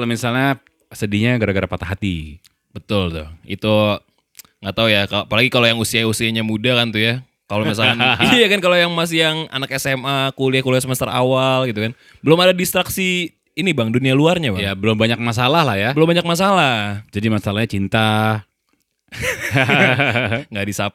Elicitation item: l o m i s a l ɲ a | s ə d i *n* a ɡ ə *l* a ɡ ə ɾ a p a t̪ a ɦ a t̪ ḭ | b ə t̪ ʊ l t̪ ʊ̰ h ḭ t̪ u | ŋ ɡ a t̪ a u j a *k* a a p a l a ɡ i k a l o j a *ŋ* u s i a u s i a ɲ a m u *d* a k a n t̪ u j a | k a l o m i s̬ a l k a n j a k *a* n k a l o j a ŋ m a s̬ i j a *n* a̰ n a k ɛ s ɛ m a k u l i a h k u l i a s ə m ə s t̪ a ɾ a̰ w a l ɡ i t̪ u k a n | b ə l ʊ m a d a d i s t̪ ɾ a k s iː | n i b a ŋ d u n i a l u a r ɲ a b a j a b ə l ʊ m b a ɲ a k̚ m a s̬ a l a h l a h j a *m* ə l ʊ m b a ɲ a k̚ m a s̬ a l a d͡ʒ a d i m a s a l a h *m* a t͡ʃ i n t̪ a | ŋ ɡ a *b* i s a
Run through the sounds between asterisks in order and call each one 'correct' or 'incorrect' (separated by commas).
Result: incorrect, incorrect, correct, correct, correct, correct, incorrect, incorrect, incorrect, incorrect